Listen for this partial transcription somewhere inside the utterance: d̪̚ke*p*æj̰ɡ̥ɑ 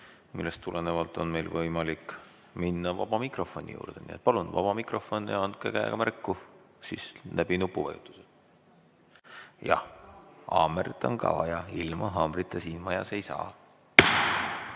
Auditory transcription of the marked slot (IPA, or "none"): k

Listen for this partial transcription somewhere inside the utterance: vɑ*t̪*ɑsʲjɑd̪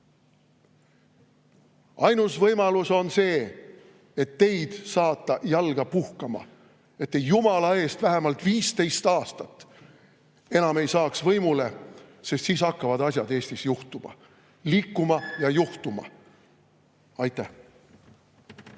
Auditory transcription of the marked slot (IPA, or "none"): d̪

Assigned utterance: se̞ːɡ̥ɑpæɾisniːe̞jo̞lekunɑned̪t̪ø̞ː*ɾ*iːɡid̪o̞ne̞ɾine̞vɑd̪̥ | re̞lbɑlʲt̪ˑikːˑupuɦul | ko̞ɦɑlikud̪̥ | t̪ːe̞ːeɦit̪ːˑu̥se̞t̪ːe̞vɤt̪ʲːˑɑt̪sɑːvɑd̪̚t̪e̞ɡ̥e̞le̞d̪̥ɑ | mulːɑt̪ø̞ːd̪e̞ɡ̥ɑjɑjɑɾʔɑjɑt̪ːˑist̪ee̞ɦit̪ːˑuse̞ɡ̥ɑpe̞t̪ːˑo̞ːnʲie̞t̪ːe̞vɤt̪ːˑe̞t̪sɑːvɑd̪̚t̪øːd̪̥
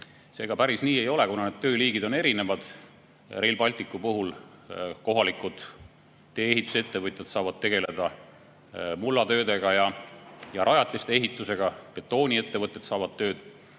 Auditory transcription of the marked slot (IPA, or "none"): l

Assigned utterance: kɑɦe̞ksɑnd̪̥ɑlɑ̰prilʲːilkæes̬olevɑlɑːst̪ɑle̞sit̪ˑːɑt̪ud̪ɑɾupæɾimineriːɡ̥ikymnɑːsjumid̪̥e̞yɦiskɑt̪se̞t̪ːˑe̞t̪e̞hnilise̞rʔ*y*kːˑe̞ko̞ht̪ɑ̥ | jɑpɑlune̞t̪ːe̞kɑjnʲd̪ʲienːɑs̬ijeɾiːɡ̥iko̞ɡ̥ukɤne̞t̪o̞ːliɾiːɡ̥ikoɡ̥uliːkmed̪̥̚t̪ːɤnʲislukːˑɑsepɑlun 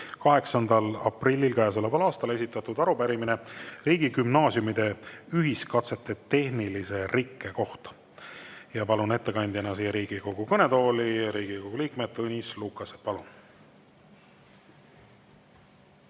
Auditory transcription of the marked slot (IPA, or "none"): i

